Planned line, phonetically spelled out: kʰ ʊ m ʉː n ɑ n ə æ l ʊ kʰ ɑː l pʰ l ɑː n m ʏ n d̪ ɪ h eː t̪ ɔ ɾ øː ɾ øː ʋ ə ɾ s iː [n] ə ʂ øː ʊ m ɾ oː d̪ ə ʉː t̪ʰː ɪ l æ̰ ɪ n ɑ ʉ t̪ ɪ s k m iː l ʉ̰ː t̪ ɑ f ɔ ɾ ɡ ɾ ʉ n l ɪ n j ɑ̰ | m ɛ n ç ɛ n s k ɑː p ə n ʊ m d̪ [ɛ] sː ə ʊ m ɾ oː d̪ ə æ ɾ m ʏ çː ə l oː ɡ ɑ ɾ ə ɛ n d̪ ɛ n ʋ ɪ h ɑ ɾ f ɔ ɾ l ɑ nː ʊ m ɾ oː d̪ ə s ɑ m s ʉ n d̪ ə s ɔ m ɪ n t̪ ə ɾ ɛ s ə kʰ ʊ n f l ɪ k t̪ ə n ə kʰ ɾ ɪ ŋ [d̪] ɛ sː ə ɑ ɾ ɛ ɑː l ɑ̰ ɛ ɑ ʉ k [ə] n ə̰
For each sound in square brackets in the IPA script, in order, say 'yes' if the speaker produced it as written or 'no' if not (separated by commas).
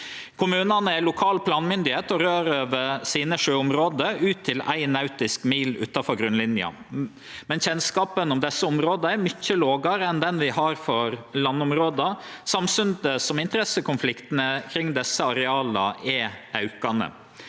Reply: yes, yes, yes, no